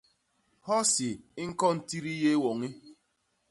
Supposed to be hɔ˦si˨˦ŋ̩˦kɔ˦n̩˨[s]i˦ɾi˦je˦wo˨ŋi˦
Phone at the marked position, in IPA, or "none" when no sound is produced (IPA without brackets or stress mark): t